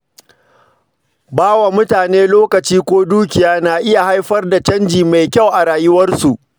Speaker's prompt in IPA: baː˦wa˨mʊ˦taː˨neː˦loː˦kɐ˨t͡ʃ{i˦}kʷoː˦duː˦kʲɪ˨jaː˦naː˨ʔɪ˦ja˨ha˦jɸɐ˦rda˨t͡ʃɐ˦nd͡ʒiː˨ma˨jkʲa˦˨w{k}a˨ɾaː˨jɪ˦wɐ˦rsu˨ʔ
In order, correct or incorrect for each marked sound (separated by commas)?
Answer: incorrect, incorrect